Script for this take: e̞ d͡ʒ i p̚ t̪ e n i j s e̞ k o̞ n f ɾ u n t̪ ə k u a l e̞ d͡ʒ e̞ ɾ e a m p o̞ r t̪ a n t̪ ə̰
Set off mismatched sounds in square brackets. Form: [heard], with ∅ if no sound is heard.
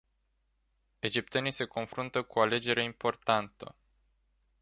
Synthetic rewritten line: e̞ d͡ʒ i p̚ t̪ e n i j s e̞ k o̞ n f ɾ u n t̪ ə k u a l e̞ d͡ʒ e̞ ɾ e [i] m p o̞ r t̪ a n t̪ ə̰